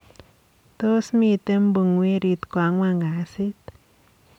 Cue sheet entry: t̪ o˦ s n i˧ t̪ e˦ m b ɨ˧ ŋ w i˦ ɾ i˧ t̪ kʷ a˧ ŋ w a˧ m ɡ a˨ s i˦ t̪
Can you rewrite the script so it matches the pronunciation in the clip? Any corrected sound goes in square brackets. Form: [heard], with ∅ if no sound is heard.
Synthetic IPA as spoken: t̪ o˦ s [m] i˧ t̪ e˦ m b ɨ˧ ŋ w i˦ ɾ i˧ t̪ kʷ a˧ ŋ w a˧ [ŋ] ɡ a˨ s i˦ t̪

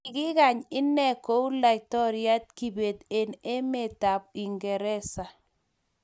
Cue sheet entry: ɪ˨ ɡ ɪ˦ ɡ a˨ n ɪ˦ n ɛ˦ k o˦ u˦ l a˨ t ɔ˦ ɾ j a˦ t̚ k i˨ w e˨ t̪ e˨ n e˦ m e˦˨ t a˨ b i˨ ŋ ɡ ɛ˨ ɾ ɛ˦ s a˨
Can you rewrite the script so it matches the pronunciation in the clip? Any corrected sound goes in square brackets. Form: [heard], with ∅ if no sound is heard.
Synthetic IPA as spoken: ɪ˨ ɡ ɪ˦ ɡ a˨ [ɲ] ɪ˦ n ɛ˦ k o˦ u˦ l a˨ t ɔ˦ ɾ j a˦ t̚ k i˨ [b] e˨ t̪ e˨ n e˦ m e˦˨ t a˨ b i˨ ŋ ɡ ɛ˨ ɾ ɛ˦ s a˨

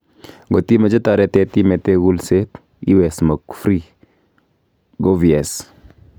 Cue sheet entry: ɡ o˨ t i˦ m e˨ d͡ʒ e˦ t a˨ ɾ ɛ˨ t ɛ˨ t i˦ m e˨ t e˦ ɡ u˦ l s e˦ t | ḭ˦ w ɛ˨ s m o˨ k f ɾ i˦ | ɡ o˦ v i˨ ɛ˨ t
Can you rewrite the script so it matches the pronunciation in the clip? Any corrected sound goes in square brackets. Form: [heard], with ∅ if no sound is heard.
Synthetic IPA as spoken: ɡ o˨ t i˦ m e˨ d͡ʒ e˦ t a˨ ɾ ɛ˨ t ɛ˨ t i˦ m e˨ t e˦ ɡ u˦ l s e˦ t | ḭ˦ w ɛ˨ s m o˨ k f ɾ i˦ | ɡ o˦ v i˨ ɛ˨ [s]

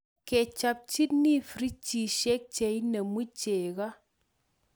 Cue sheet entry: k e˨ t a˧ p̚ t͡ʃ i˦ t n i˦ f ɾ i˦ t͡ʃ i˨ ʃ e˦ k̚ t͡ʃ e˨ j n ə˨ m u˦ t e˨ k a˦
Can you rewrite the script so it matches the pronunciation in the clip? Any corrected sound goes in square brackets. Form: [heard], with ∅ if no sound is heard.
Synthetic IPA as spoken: k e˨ [t͡ʃ] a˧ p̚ t͡ʃ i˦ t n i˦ f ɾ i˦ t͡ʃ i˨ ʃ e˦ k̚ t͡ʃ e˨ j n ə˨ m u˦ [t͡ʃ] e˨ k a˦

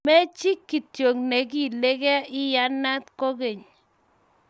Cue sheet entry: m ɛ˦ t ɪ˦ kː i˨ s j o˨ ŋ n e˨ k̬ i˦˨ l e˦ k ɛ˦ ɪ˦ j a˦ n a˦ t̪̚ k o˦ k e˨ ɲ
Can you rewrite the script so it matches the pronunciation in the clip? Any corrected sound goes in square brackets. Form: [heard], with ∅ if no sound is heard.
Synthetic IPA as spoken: m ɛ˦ [t͡ʃ] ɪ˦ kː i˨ [t] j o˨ ŋ n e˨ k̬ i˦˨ l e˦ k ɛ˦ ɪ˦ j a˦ n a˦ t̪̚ k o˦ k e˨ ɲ

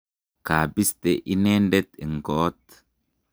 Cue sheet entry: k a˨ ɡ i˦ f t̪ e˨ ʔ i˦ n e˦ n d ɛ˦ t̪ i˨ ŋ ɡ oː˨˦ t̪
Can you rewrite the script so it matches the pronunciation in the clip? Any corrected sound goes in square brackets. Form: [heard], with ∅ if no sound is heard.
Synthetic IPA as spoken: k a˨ [b] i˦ [s] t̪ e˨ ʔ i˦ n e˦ n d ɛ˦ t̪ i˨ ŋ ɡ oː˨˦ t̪

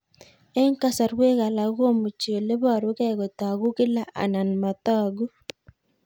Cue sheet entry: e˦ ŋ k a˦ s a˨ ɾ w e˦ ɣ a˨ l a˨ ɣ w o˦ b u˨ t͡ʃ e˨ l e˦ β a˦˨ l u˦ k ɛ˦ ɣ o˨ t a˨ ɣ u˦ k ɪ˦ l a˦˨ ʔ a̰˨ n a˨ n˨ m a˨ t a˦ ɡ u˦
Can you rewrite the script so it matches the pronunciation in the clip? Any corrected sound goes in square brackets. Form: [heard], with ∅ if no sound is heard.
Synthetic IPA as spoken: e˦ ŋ k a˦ s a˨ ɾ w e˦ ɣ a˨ l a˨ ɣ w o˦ [m] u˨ t͡ʃ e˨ l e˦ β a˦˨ [ɾ] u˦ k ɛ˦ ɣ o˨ t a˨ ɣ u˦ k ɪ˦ l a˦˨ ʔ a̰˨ n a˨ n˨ m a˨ t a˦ ɡ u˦

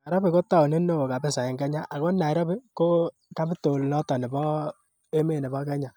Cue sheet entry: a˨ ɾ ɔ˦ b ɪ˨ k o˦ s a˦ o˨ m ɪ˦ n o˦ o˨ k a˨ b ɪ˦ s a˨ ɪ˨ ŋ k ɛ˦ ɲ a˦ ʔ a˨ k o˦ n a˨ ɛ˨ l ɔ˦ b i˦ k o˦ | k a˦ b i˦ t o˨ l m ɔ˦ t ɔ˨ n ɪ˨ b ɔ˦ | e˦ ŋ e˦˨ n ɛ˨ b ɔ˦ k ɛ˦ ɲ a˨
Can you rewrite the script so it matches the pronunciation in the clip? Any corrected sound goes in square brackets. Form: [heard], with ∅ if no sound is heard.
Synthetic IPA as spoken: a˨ ɾ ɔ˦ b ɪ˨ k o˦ [t] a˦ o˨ [n] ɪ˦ n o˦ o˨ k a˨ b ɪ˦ s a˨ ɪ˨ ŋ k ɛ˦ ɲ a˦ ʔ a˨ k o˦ n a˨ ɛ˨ [ɾ] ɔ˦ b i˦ k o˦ | k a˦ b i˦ t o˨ l [n] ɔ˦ t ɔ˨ n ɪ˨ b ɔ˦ | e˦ [m] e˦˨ n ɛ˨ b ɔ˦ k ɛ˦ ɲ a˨

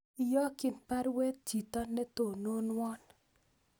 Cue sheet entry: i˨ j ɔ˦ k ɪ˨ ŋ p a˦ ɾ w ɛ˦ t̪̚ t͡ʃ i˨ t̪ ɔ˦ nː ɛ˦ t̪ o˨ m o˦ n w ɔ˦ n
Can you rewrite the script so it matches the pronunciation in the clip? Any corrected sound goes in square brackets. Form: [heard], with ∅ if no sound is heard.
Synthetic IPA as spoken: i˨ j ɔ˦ k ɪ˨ [n] p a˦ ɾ w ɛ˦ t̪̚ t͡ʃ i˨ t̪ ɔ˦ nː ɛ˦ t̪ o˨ [n] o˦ n w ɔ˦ n

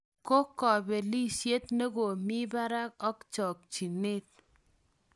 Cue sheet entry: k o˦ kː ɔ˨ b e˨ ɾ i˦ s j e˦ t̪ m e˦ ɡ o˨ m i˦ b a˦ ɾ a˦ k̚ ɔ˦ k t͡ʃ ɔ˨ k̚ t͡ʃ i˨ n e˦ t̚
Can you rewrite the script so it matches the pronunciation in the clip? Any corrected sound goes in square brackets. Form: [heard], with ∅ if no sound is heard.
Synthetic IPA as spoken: k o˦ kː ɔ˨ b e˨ [l] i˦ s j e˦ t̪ [n] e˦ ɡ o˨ m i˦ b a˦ ɾ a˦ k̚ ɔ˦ k t͡ʃ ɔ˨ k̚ t͡ʃ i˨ n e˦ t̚

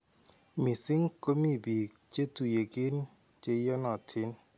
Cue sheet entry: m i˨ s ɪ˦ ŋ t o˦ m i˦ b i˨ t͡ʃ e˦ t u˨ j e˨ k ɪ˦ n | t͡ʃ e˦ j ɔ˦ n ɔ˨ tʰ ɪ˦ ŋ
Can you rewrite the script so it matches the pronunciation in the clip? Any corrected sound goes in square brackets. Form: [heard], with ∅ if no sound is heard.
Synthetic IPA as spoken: m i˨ s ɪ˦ ŋ [k] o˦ m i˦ b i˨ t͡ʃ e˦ t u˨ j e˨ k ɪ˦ n | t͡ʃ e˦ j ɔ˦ n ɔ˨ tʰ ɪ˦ [n]

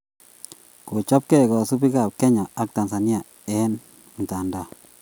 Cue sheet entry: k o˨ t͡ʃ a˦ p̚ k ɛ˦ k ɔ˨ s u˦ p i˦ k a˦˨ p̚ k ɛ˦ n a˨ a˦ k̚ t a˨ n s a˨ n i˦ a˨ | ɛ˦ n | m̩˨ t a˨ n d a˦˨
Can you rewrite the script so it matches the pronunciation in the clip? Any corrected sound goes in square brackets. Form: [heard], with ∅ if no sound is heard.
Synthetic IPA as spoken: k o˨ t͡ʃ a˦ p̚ k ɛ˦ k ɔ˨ s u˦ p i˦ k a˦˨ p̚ k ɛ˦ [ɲ] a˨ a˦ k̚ t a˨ n s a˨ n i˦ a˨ | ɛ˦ n | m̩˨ t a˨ n d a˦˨

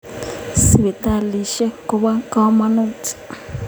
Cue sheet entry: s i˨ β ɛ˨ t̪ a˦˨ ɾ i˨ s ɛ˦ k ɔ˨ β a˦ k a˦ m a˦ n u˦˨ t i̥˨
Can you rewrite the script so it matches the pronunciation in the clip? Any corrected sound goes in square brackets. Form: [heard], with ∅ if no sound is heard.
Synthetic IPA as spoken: s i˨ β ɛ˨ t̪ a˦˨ [l] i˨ [ʃ] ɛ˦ k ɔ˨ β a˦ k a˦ m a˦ n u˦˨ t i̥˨

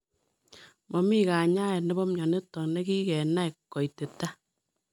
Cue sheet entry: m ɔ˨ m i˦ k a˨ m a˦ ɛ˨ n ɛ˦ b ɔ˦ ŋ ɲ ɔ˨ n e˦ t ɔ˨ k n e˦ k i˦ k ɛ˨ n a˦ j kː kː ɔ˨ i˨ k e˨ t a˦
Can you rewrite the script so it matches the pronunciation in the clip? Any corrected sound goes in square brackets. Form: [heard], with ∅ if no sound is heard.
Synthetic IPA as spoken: m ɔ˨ m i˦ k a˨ [ɲ] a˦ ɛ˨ n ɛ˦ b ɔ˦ [m] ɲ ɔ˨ n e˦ t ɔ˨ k n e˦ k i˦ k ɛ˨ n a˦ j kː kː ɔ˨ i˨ [t] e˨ t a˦

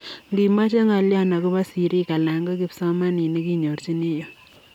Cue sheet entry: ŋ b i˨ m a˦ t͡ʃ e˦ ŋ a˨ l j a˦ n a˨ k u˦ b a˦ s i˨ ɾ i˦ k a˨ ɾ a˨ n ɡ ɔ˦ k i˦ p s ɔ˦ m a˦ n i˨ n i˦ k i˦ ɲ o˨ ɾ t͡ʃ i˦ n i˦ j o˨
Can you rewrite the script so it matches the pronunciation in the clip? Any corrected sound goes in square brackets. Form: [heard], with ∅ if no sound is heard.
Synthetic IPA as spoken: ŋ [ɡ] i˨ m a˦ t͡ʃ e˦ ŋ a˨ l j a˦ n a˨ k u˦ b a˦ s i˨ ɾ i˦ k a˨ [l] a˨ [ŋ] ɡ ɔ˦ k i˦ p s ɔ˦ m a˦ n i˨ n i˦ k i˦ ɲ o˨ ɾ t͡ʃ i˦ n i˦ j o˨

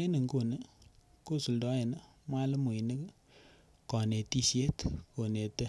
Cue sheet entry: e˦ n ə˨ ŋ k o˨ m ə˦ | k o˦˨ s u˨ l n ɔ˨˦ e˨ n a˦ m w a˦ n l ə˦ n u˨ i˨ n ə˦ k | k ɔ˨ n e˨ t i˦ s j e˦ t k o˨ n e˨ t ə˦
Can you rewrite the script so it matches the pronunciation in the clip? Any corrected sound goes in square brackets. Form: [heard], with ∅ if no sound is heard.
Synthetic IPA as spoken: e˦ n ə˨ ŋ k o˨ [n] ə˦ | k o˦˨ s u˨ l [d] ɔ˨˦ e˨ n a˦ m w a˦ [∅] l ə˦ [m] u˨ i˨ n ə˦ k | k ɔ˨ n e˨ t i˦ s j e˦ t k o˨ n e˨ t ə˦

